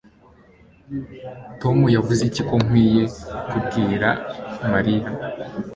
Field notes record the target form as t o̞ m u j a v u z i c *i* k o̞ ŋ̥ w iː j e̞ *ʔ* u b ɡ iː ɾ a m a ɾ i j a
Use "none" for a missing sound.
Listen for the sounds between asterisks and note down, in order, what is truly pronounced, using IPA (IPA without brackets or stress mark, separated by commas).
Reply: i, k